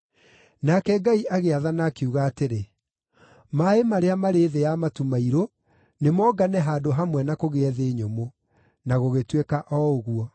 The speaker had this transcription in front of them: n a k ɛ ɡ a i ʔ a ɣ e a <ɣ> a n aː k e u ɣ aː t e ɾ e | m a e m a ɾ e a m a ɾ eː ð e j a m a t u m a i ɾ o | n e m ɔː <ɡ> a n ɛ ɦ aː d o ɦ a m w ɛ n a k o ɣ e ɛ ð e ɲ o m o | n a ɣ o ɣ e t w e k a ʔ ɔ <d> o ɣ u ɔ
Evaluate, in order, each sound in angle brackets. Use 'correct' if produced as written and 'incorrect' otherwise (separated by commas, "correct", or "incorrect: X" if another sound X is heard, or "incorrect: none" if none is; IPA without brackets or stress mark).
incorrect: ð, correct, incorrect: none